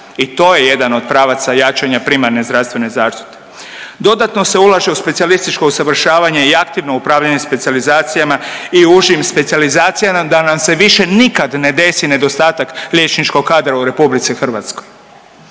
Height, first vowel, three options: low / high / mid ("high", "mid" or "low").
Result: high